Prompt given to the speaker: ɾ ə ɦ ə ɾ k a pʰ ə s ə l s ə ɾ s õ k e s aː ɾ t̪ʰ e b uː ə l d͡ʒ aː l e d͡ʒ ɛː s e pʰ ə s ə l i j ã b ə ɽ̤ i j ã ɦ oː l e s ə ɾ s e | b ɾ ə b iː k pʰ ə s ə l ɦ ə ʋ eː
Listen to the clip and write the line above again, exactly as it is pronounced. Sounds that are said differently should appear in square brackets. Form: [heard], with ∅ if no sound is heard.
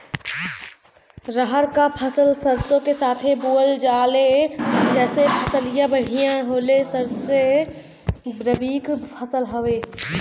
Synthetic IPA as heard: ɾ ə ɦ ə ɾ k a pʰ ə s ə l s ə ɾ s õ k e s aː [∅] t̪ʰ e b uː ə l d͡ʒ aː l e d͡ʒ ɛː s e pʰ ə s ə l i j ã b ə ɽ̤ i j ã ɦ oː l e s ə ɾ s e | b ɾ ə b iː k pʰ ə s ə l ɦ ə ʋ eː

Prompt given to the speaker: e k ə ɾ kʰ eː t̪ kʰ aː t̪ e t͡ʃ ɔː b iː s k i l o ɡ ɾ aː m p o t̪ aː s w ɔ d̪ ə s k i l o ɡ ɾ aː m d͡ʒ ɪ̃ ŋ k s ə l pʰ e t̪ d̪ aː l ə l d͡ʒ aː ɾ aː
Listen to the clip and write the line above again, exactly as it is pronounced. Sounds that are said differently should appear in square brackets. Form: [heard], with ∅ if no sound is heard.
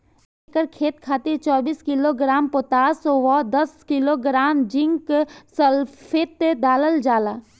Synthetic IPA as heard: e k ə ɾ kʰ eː t̪ kʰ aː t̪ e t͡ʃ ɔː b iː s k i l o ɡ ɾ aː m p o t̪ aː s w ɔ d̪ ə s k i l o ɡ ɾ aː m d͡ʒ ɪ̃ ŋ k s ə l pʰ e t̪ d̪ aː l ə l d͡ʒ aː [l] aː

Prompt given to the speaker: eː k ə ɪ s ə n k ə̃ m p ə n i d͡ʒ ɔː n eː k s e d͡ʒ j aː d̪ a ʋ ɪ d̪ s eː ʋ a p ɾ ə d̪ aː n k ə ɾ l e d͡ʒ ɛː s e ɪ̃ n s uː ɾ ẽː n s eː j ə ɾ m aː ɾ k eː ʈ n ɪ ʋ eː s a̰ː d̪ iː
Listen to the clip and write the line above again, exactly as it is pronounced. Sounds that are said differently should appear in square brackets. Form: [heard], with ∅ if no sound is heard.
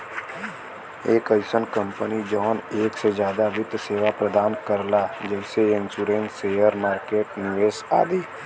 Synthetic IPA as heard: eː k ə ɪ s ə n k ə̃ m p ə n i d͡ʒ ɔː n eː k s e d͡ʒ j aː d̪ a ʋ ɪ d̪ s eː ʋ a p ɾ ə d̪ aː n k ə ɾ l [a] d͡ʒ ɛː s e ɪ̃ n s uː ɾ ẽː n s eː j ə ɾ m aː ɾ k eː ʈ n ɪ ʋ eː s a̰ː d̪ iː

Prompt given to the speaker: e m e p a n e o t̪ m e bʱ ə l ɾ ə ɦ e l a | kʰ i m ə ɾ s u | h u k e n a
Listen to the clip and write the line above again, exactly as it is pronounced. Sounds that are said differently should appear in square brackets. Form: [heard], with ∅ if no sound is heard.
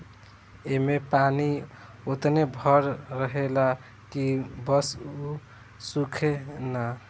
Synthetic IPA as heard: e m e p a n [i] o t̪ [n] e bʱ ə [ɾ] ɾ ə ɦ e l a | [k] i [b] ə [∅] s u | [s] u [kʰ] e n a

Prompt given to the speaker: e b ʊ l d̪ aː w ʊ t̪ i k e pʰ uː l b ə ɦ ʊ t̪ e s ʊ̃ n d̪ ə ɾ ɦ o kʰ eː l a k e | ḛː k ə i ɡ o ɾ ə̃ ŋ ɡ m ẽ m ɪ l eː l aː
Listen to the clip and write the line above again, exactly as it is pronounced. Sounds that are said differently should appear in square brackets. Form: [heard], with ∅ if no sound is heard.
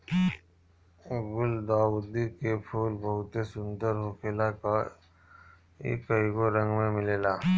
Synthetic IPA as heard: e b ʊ l d̪ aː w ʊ [d̪] i k e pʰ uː l b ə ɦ ʊ t̪ e s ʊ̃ n d̪ ə ɾ ɦ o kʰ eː l a k [a] | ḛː k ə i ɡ o ɾ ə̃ ŋ ɡ m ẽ m ɪ l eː l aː

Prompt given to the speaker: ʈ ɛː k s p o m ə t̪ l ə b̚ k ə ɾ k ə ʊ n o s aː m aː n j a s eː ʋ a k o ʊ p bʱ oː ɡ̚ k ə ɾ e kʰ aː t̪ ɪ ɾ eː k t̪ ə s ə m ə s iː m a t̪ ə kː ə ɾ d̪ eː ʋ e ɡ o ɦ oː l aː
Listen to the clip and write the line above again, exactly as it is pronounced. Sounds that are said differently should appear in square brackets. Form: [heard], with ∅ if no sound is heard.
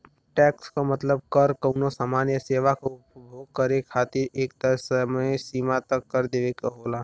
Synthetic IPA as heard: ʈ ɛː k s [k] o m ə t̪ l ə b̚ k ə ɾ k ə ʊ n o s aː m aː n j [ə] s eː ʋ a k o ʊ p bʱ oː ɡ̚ k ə ɾ e kʰ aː t̪ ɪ ɾ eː k t̪ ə s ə m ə s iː m a t̪ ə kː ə ɾ d̪ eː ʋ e [k] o ɦ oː l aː

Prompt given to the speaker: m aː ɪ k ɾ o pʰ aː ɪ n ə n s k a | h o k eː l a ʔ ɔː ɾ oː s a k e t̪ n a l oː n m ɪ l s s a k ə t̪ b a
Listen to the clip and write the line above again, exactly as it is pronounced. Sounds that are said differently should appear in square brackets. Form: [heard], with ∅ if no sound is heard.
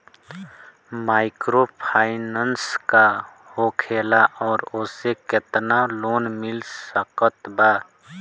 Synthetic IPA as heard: m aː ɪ k ɾ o pʰ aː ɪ n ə n s k a | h o [kʰ] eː l a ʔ ɔː ɾ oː s [e] k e t̪ n a l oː n m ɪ l s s [ə] k ə t̪ b a

